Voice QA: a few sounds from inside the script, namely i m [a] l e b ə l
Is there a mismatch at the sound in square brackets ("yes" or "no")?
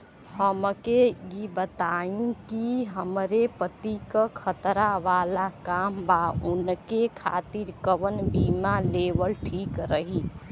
no